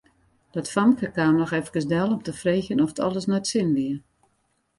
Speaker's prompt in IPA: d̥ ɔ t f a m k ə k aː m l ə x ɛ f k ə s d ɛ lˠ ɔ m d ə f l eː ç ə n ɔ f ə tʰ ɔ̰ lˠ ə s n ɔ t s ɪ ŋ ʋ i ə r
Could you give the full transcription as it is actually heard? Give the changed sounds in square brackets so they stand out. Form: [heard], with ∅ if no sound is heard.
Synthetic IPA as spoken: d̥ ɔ t f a m k ə k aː m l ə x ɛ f k ə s d ɛ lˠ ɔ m [t] ə f [r] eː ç ə n ɔ f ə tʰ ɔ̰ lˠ ə s n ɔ t s ɪ [n] ʋ i ə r